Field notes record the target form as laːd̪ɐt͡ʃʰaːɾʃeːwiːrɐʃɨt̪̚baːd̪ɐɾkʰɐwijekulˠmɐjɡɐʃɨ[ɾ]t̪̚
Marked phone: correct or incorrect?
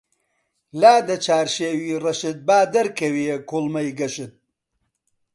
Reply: incorrect: none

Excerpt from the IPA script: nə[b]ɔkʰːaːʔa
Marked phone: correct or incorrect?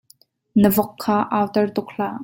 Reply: incorrect: v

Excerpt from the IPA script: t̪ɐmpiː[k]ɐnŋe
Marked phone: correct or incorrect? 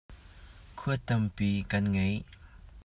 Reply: correct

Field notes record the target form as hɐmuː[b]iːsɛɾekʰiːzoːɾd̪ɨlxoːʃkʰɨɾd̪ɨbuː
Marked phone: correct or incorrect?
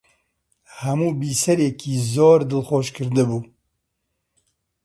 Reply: correct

